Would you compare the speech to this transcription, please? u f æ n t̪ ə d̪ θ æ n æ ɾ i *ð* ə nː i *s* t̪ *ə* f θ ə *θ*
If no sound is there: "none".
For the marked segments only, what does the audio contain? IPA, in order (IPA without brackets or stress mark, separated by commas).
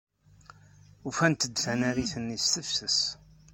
θ, s, ə, s